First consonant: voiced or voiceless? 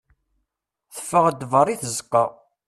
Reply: voiceless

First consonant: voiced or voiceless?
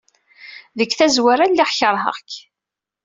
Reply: voiced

